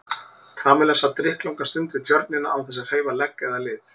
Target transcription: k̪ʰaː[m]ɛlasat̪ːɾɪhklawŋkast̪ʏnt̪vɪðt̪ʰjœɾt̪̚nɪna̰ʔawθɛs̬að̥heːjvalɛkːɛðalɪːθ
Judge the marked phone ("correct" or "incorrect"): correct